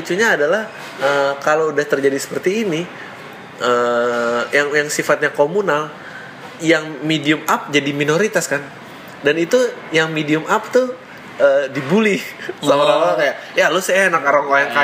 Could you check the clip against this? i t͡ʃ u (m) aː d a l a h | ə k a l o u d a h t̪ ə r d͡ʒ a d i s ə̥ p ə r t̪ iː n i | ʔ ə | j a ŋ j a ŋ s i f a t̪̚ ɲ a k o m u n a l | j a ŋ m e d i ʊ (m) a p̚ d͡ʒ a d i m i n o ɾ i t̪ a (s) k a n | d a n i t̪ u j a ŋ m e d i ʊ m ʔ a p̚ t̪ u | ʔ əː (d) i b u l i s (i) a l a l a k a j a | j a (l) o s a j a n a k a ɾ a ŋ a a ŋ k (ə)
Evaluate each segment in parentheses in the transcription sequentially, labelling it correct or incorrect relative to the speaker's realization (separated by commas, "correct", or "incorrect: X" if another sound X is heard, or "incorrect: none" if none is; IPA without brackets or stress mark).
incorrect: ɲ, correct, correct, correct, incorrect: a, correct, incorrect: a